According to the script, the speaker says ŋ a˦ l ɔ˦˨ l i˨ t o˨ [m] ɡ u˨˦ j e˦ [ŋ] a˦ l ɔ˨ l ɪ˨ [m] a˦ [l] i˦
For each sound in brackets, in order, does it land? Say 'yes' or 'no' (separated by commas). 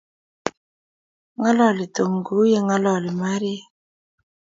no, yes, yes, no